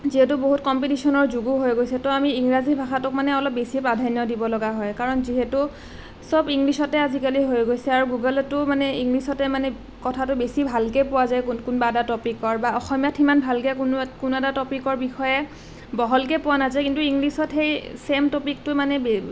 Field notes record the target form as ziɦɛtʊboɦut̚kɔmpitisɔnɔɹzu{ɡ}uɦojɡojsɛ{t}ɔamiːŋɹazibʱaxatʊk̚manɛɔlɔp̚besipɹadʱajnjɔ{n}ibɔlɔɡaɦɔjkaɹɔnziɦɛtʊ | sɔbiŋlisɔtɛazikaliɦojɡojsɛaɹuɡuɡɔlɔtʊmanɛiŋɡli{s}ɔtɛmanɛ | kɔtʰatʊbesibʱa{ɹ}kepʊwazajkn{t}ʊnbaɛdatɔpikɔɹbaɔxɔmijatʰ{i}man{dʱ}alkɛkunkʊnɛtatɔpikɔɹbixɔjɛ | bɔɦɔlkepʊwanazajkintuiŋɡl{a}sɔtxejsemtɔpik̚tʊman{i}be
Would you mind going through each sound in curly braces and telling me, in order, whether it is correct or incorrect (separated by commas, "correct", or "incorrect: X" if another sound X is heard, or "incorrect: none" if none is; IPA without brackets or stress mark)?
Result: correct, correct, incorrect: d, correct, incorrect: l, incorrect: k, correct, incorrect: bʱ, incorrect: i, incorrect: ɛ